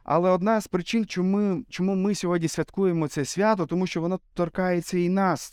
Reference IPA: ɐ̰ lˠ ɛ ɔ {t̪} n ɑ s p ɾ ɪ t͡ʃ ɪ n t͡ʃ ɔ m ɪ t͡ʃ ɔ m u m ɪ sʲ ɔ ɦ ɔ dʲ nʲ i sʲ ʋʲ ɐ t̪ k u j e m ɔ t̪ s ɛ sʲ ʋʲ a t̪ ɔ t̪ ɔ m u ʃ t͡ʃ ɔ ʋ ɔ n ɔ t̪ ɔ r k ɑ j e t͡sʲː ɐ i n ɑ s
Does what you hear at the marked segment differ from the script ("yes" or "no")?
yes